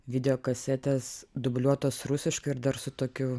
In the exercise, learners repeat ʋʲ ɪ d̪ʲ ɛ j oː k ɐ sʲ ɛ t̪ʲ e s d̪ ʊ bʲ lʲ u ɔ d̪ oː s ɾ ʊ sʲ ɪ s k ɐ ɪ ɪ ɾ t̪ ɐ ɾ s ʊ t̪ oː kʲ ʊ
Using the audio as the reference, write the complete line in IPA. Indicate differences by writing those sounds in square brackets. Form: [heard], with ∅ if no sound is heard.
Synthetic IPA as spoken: ʋʲ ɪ d̪ʲ ɛ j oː k ɐ sʲ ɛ t̪ʲ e s d̪ ʊ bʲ lʲ u ɔ [t̪] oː s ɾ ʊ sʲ ɪ [ʃ] k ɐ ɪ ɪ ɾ [d̪] ɐ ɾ s ʊ t̪ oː kʲ ʊ